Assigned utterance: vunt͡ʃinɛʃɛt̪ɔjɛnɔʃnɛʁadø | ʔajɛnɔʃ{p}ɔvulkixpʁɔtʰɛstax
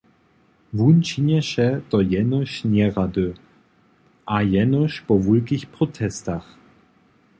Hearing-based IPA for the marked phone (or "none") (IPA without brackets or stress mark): p